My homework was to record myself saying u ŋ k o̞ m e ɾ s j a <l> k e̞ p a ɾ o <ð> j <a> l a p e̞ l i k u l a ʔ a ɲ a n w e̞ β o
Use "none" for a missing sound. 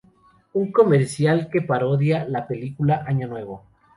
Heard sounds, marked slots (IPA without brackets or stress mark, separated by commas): l, ð, a